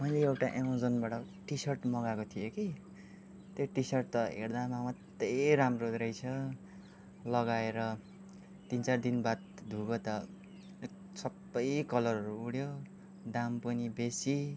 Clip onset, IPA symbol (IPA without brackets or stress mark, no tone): m